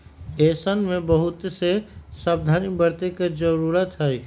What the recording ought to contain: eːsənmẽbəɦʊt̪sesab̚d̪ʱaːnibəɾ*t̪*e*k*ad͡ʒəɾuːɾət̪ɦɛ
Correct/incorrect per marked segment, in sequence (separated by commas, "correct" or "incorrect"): correct, correct